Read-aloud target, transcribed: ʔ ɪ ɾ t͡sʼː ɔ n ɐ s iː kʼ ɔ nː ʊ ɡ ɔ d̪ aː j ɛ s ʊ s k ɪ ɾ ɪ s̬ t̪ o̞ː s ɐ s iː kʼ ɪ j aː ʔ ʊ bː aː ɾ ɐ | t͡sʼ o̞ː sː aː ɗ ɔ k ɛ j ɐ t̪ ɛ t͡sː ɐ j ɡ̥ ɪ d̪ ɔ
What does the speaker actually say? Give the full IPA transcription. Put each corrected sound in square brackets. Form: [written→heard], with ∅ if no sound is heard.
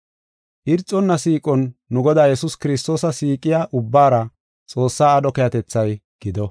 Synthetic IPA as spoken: ʔ ɪ ɾ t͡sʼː ɔ [n→nː] ɐ s iː kʼ ɔ nː ʊ ɡ ɔ d̪ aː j ɛ s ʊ s k ɪ ɾ ɪ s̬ t̪ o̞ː s ɐ s iː kʼ ɪ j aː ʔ ʊ bː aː ɾ ɐ | t͡sʼ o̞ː sː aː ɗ ɔ k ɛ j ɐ t̪ ɛ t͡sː ɐ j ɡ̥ ɪ d̪ ɔ

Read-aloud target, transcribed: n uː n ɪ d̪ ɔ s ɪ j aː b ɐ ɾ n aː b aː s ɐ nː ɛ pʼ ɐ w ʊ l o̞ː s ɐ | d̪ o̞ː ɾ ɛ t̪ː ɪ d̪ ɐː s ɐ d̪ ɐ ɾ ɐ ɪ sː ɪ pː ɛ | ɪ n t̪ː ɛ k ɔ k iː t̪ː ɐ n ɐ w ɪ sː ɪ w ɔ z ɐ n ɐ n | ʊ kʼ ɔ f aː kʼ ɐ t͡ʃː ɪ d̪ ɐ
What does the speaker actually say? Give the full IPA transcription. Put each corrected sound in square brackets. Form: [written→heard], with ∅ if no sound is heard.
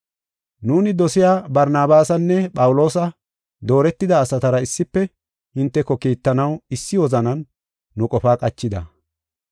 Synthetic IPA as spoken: n uː n ɪ d̪ ɔ s ɪ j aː b ɐ ɾ n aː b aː s ɐ nː ɛ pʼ ɐ w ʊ l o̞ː s ɐ | d̪ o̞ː ɾ ɛ t̪ː ɪ d̪ ɐː s ɐ [d̪→t̪] ɐ ɾ ɐ ɪ sː ɪ pː ɛ | ɪ n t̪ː ɛ k ɔ k iː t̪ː ɐ n ɐ w ɪ sː ɪ w ɔ z ɐ n ɐ [n→nː] | ʊ kʼ ɔ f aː kʼ ɐ t͡ʃː ɪ d̪ ɐ

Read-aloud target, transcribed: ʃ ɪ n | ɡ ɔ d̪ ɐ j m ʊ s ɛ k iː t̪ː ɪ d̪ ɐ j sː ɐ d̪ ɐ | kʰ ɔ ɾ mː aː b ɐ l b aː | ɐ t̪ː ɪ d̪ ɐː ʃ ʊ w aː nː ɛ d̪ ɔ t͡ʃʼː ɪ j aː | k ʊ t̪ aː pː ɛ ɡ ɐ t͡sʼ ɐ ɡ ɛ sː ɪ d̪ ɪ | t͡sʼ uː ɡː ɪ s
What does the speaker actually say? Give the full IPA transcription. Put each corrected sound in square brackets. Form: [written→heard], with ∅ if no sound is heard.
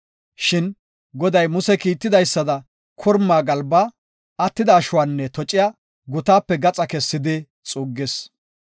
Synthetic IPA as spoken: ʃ ɪ n | ɡ ɔ d̪ ɐ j m ʊ s ɛ k iː t̪ː ɪ d̪ ɐ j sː ɐ d̪ ɐ | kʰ ɔ ɾ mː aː [b→ɡ] ɐ l b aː | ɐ t̪ː ɪ d̪ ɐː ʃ ʊ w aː nː ɛ [d̪→t̪] ɔ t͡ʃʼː ɪ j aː | [k→ɡ] ʊ t̪ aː pː ɛ ɡ ɐ t͡sʼ ɐ [ɡ→k] ɛ sː ɪ d̪ ɪ | t͡sʼ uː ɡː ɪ s

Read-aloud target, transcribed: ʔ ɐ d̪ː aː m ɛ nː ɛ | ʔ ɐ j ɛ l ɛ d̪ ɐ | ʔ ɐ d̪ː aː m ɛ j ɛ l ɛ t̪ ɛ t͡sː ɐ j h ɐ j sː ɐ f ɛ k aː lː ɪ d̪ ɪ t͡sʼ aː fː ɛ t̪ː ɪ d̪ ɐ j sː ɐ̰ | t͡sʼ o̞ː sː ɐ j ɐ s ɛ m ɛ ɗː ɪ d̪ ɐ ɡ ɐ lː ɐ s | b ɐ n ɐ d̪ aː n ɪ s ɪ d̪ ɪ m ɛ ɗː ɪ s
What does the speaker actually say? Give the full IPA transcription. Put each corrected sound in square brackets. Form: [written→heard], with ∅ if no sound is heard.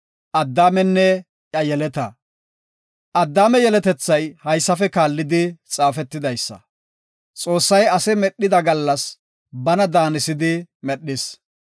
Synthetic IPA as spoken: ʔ ɐ d̪ː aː m ɛ nː ɛ | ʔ ɐ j ɛ l ɛ [d̪→t̪] ɐ | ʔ ɐ d̪ː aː m ɛ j ɛ l ɛ t̪ ɛ t͡sː ɐ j h ɐ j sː ɐ f ɛ k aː lː ɪ d̪ ɪ t͡sʼ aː [fː→f] ɛ t̪ː ɪ d̪ ɐ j sː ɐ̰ | t͡sʼ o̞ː sː ɐ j ɐ s ɛ m ɛ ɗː ɪ d̪ ɐ ɡ ɐ lː ɐ s | b ɐ n ɐ d̪ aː n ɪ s ɪ d̪ ɪ m ɛ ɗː ɪ s

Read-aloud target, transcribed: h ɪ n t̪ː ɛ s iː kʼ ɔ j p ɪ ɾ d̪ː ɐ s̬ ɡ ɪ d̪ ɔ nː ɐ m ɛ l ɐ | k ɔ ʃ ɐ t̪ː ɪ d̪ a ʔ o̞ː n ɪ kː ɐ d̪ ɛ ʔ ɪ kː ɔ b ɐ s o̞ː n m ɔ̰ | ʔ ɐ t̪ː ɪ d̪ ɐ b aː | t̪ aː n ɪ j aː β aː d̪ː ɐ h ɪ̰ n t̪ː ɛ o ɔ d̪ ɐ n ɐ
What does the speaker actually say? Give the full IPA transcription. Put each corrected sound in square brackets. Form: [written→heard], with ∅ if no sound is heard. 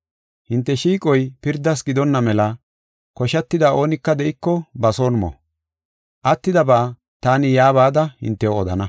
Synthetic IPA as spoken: h ɪ n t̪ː ɛ [s→ʃ] iː kʼ ɔ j p ɪ ɾ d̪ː ɐ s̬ ɡ ɪ d̪ ɔ nː ɐ m ɛ l ɐ | k ɔ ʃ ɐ t̪ː ɪ d̪ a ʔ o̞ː n ɪ kː ɐ d̪ ɛ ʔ ɪ kː ɔ b ɐ s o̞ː n m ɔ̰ | ʔ ɐ t̪ː ɪ d̪ ɐ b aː | t̪ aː n ɪ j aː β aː [d̪ː→d̪] ɐ h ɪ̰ n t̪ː ɛ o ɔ d̪ ɐ n ɐ

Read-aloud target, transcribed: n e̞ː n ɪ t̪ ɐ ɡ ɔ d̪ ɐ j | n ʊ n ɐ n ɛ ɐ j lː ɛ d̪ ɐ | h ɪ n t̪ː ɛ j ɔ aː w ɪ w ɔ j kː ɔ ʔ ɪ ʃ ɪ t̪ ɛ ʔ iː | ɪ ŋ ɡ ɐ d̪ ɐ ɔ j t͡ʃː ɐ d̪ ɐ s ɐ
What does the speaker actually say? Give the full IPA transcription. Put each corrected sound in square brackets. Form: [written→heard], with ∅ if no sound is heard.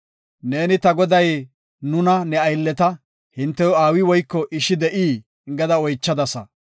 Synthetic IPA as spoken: n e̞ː n ɪ t̪ ɐ ɡ ɔ d̪ ɐ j | n ʊ n ɐ n ɛ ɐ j lː ɛ [d̪→t̪] ɐ | h ɪ n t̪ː ɛ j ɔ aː w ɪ w ɔ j kː ɔ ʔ ɪ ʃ ɪ [t̪→d̪] ɛ ʔ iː | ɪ ŋ ɡ ɐ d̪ ɐ ɔ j t͡ʃː ɐ d̪ ɐ s ɐ

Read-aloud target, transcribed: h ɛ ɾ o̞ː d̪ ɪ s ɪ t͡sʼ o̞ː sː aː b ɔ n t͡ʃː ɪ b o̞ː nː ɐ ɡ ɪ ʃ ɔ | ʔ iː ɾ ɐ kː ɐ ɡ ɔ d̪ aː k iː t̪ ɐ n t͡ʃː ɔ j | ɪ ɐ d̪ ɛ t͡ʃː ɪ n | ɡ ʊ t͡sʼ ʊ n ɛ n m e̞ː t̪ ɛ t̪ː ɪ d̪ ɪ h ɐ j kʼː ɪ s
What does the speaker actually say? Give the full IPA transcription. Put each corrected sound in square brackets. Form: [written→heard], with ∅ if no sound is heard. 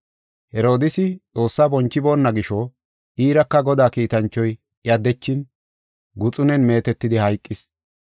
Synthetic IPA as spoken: h ɛ ɾ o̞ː d̪ ɪ s ɪ t͡sʼ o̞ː sː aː b ɔ n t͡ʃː ɪ b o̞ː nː ɐ ɡ ɪ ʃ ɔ | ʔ iː ɾ ɐ kː ɐ ɡ ɔ d̪ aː k iː t̪ ɐ n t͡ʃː ɔ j | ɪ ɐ d̪ ɛ t͡ʃː ɪ n | ɡ ʊ t͡sʼ ʊ n ɛ n m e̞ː t̪ ɛ t̪ː ɪ d̪ ɪ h ɐ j kʼː ɪ s

